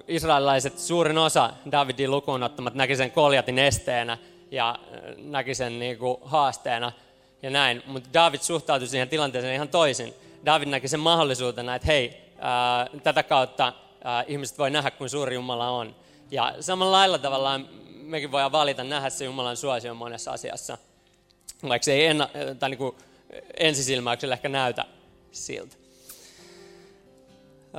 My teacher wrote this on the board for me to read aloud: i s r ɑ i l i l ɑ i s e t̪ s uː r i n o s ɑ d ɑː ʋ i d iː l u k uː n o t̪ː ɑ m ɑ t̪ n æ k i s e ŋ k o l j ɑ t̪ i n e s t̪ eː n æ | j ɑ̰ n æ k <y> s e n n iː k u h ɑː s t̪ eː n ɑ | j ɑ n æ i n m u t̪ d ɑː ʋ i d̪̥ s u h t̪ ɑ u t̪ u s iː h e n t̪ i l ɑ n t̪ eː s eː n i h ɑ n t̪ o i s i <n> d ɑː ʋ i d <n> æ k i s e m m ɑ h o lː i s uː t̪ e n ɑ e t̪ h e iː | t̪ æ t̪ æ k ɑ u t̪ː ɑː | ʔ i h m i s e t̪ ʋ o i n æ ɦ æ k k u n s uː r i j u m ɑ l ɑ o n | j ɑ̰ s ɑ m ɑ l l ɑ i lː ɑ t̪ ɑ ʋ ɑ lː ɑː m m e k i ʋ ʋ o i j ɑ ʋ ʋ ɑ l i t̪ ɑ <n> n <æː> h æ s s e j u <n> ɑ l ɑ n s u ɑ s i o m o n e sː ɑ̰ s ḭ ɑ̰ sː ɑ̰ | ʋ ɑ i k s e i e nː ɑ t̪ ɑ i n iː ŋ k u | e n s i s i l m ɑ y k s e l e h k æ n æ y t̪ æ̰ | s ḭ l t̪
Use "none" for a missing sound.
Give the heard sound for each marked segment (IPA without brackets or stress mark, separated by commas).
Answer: i, n, n, n, æ, m